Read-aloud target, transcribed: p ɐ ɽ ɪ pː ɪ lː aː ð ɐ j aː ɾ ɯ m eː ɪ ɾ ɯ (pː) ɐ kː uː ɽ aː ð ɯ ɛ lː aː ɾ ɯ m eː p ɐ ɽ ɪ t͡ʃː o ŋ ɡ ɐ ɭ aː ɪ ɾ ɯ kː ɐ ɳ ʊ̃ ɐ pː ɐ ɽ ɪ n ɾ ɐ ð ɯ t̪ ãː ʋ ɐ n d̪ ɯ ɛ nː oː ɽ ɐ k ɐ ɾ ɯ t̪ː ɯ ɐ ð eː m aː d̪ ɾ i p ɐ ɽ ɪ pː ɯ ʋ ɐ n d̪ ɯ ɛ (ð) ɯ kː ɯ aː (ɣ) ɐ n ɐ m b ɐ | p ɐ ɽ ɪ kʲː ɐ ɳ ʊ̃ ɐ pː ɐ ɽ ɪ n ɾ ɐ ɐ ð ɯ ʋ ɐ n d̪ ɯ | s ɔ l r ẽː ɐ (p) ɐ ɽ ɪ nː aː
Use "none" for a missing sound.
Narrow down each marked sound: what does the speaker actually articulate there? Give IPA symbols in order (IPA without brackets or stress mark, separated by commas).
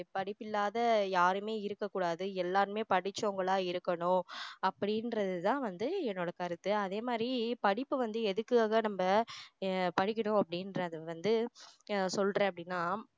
kː, ð, ɣ, p